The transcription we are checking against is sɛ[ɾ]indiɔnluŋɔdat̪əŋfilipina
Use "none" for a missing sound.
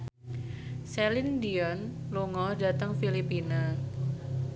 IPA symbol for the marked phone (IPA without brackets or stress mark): l